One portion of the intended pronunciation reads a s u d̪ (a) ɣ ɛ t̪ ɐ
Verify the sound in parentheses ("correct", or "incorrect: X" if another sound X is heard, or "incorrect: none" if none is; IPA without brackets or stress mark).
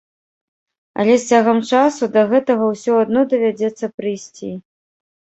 incorrect: ɐ